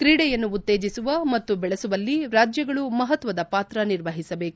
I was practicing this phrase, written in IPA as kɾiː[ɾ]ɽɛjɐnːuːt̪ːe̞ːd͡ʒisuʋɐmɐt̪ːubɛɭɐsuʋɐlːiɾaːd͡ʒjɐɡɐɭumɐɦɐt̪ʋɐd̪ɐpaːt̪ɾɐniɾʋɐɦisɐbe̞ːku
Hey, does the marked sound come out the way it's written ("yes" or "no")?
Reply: no